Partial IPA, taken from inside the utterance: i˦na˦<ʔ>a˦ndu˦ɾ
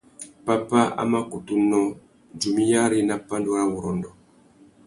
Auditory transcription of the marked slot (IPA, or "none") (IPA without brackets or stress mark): p